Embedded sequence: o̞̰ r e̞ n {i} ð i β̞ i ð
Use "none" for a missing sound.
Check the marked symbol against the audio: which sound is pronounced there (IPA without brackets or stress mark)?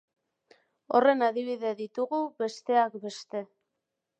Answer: a